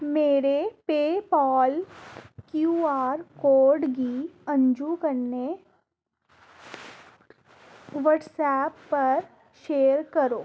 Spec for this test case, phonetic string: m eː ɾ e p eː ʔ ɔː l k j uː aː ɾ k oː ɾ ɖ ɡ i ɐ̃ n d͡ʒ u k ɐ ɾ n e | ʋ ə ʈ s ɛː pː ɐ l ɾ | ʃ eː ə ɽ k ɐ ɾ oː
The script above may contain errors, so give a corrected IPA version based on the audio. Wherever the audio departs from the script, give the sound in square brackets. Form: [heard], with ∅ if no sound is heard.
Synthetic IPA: m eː ɾ e p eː [p] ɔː l k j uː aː ɾ k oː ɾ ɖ ɡ i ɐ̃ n d͡ʒ u k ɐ ɾ n e | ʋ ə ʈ s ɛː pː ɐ [∅] ɾ | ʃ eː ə [ɾ] k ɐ ɾ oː